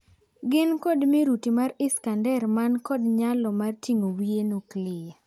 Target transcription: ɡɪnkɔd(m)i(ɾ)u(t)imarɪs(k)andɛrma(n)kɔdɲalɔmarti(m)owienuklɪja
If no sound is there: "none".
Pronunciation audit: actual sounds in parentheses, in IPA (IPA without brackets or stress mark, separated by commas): m, ɾ, t, k, n, ŋ